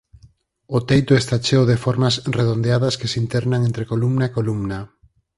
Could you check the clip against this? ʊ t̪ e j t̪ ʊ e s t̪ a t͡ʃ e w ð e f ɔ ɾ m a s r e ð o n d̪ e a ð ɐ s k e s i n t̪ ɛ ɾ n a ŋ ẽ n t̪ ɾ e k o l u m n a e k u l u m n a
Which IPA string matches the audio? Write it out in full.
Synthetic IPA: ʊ t̪ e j t̪ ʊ e s t̪ a t͡ʃ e w ð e f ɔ ɾ m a s r e ð o n d̪ e a ð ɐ s k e s i n t̪ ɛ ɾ n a ŋ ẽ n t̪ ɾ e k o l u m n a e k o l u m n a